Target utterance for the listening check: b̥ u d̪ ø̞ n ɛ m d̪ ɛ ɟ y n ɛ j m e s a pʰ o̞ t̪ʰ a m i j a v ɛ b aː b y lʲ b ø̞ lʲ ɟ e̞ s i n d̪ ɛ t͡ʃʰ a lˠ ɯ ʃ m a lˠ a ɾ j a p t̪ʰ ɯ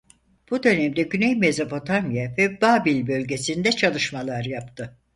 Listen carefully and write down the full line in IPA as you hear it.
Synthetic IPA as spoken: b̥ u d̪ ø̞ n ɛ m d̪ ɛ ɟ y n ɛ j m e z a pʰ o̞ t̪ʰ a m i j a v ɛ b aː b i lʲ b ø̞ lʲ ɟ e̞ s i n d̪ ɛ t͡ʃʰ a lˠ ɯ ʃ m a lˠ a ɾ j a p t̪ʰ ɯ